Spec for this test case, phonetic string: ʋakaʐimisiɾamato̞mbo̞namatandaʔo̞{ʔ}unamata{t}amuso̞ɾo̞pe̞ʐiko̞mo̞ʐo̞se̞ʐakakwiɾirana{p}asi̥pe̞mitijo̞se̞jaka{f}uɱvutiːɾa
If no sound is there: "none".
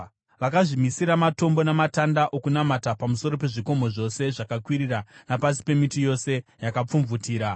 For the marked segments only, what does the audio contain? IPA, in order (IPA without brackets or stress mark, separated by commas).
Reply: k, p, p, p͡f